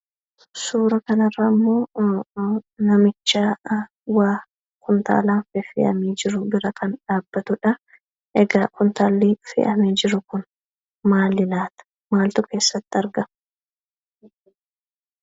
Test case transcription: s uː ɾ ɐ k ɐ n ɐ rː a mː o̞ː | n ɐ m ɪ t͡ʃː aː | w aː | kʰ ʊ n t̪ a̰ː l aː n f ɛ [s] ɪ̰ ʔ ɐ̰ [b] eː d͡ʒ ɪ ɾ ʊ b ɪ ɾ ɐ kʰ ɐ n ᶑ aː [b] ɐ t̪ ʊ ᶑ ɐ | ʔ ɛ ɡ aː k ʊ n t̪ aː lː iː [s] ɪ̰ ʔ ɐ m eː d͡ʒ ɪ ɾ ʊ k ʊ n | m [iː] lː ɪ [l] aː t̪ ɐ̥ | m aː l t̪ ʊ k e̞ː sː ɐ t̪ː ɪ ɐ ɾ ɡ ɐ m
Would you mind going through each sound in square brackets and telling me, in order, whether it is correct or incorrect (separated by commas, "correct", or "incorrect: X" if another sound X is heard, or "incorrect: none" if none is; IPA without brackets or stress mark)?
incorrect: f, incorrect: m, incorrect: bː, incorrect: f, incorrect: aː, correct